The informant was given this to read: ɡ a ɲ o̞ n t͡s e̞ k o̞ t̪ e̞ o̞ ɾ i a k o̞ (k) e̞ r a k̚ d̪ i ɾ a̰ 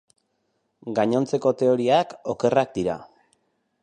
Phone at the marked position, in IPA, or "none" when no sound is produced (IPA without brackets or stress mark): k